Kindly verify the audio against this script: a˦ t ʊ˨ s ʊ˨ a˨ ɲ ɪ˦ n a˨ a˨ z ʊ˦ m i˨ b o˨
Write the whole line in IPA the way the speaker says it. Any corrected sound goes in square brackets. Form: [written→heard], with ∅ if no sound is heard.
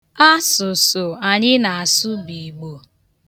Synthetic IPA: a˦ [t→s] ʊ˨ s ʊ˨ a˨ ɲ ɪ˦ n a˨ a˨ [z→s] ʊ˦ [m→b] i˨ [b→ɡ͡b] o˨